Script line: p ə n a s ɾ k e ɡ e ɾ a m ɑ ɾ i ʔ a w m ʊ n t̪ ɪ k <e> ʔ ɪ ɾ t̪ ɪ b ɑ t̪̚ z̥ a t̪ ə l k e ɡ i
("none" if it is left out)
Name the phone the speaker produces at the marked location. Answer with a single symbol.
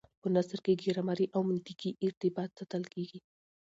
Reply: i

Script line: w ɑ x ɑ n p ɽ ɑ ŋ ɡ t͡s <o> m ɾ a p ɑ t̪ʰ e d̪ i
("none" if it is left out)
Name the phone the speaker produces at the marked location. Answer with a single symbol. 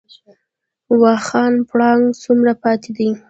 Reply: u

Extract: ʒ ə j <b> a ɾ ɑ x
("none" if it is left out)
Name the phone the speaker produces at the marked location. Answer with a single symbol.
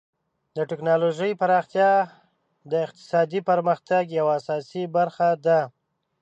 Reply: p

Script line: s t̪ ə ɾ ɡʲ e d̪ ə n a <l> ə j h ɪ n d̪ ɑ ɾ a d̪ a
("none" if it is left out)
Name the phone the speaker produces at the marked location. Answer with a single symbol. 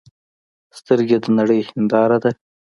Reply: ɽ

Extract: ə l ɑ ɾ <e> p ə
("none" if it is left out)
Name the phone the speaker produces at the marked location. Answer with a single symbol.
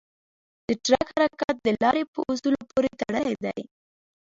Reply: e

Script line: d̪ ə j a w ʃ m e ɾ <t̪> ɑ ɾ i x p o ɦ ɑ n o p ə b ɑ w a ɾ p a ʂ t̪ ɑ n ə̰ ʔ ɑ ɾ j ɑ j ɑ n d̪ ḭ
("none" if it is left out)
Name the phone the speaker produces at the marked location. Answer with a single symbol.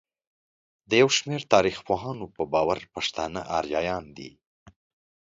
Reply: t̪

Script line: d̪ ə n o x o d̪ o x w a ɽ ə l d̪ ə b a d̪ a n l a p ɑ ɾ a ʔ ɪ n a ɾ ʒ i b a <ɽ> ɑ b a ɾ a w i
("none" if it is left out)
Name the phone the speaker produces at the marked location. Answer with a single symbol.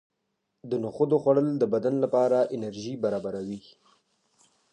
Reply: ɾ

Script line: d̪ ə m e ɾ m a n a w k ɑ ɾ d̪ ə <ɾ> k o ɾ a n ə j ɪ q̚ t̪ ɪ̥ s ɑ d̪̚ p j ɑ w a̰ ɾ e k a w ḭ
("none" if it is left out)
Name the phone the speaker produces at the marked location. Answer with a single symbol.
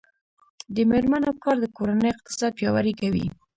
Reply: none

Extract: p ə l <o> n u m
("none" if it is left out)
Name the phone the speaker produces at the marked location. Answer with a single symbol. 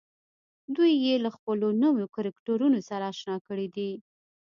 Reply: o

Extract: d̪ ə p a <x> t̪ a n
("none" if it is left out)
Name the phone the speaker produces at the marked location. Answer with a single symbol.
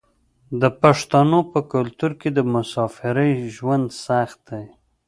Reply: ʂ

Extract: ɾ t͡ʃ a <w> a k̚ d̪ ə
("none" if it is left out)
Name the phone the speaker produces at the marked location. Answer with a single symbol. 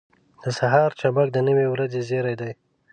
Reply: b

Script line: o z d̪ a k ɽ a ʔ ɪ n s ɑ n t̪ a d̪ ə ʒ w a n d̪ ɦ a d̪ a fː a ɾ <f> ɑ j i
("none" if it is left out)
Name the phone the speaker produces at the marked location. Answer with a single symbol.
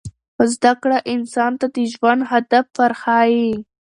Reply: x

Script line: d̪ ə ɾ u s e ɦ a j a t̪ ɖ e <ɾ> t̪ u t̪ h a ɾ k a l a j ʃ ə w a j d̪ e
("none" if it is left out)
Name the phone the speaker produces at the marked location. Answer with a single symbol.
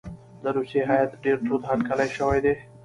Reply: ɾ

